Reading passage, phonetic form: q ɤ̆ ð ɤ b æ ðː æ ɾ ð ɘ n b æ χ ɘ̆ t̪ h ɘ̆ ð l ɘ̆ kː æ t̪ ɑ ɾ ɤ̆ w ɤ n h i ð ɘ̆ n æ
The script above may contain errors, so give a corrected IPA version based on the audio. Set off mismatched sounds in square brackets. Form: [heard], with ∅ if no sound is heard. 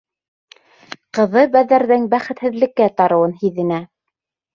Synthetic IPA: q ɤ̆ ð ɤ b æ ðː æ ɾ ð ɘ [ŋ] b æ χ ɘ̆ t̪ h ɘ̆ ð l ɘ̆ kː æ t̪ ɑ ɾ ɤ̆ w ɤ n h i ð ɘ̆ n æ